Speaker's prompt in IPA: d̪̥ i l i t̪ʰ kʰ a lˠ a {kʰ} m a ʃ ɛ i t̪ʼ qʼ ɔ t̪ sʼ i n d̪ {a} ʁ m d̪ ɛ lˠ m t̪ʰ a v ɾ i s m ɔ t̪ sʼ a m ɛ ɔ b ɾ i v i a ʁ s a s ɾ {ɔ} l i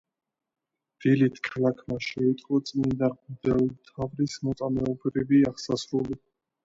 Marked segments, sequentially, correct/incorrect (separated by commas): correct, correct, incorrect